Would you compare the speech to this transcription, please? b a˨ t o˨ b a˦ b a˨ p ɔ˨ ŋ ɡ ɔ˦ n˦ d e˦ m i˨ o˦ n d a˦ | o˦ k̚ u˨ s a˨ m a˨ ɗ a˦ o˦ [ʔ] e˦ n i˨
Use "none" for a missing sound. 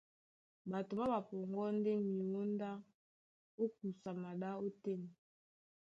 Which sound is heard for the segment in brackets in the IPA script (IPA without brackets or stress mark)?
t